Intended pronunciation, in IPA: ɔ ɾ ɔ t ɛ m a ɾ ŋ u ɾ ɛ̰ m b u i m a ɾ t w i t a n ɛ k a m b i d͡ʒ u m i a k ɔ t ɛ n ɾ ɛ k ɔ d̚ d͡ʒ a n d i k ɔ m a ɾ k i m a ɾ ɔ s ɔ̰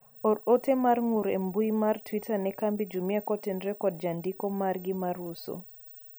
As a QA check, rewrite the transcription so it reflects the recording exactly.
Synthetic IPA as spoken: ɔ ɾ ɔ t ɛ m a ɾ ŋ u ɾ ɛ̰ m b u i m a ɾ t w i t a n ɛ k a m b i d͡ʒ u m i a k ɔ t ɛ n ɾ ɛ k ɔ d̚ d͡ʒ a n d i k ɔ m a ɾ ɡ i m a ɾ u s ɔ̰